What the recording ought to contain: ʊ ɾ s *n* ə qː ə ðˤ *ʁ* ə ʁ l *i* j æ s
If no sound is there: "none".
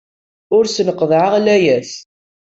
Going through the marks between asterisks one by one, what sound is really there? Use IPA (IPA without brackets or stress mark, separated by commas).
n, ʕ, æ